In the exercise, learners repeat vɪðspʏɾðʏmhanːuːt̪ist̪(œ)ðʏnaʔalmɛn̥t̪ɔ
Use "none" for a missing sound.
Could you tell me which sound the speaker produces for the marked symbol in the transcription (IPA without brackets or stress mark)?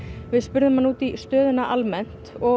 œː